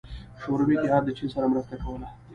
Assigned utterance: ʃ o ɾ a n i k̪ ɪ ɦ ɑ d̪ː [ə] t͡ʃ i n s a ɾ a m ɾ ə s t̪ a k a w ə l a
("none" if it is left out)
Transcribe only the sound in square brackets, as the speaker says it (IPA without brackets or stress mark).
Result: ə